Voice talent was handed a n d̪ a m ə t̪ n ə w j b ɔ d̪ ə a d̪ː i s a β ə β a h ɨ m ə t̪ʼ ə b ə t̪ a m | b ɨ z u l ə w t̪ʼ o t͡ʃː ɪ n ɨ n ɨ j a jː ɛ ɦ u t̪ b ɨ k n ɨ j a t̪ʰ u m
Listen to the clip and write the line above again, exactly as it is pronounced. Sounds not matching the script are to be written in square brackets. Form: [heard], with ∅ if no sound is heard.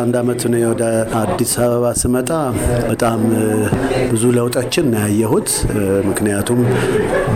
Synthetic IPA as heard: a n d̪ a m ə t̪ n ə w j [w] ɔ d̪ ə a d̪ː i s a β ə β a [s] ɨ m ə t̪ʼ [a] b ə [t̪ʼ] a m | b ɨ z u l ə w t̪ʼ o t͡ʃː ɪ n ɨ n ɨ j a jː ɛ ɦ u t̪ [m] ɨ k n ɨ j a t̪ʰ u m